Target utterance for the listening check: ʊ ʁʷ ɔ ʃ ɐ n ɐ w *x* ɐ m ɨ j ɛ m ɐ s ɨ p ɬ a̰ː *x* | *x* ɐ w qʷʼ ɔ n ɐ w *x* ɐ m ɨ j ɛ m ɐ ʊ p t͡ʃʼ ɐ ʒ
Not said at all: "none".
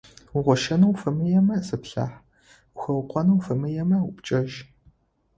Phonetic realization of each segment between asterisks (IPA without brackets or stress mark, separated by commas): f, ħ, x, f